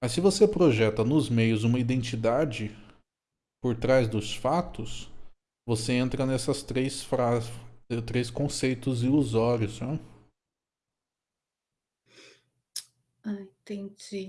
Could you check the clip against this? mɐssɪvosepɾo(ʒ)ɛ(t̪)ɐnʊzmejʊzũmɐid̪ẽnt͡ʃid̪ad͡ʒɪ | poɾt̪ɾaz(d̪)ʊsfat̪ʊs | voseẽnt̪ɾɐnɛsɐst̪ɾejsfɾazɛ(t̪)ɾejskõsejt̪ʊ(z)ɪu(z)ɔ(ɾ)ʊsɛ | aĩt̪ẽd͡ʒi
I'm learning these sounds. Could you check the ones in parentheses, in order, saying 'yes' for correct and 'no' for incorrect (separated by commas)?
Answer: yes, yes, yes, yes, yes, yes, yes